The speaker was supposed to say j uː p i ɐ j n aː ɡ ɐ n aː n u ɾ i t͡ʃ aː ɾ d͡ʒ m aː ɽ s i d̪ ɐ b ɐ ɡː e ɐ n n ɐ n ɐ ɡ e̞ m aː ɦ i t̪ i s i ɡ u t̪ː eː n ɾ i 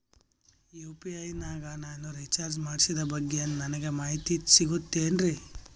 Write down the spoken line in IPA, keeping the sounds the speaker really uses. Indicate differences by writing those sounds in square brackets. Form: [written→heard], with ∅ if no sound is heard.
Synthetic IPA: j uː p i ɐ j n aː ɡ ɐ n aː n u ɾ i t͡ʃ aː ɾ d͡ʒ m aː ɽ s i d̪ ɐ b ɐ ɡː e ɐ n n ɐ n ɐ ɡ e̞ m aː ɦ i t̪ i s i ɡ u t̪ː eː n ɾ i